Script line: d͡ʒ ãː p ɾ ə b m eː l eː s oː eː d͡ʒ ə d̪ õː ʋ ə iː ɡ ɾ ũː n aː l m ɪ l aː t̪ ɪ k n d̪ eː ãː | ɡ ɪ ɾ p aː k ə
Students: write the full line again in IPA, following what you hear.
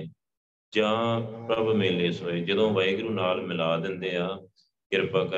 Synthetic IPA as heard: d͡ʒ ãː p ɾ ə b m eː l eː s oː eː d͡ʒ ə d̪ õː ʋ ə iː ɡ ɾ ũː n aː l m ɪ l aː d̪ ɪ n d̪ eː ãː | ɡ ɪ ɾ p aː k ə